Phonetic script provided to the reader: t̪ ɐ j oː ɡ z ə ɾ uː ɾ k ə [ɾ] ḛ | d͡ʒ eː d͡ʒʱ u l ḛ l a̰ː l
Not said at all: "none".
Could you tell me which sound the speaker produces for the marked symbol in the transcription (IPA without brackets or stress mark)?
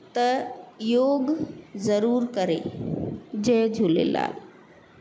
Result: ɾ